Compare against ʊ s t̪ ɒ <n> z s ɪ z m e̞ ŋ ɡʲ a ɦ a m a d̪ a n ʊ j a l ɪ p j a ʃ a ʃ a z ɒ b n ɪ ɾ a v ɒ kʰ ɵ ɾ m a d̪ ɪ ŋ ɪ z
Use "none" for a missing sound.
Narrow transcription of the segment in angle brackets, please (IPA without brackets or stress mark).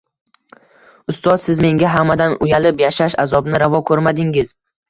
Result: none